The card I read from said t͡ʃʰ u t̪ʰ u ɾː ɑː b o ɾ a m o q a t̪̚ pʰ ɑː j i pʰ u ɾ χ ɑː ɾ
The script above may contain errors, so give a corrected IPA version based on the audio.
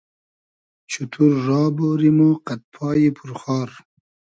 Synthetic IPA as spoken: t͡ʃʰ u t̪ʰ u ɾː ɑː b o ɾ i m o q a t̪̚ pʰ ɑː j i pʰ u ɾ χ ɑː ɾ